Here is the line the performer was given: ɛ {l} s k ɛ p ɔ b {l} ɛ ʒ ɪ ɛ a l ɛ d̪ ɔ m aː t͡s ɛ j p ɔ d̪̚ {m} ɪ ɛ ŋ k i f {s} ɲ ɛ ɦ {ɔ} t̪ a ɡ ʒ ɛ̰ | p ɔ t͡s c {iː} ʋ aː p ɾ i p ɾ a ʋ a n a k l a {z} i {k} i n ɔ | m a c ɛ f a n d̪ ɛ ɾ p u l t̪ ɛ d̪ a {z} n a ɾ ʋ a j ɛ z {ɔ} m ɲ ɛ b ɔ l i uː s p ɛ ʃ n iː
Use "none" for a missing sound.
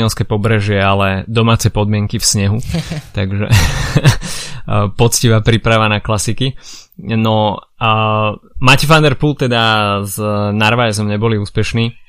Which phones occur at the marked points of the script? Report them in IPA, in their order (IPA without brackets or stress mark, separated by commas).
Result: l, ɾ, m, s, u, i, s, k, z, ɔ